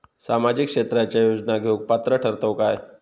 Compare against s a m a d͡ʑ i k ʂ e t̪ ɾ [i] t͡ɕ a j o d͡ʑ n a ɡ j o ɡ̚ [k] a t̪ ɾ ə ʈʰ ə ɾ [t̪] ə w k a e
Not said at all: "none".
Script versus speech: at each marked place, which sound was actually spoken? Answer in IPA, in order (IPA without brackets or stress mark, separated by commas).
a, p, t̪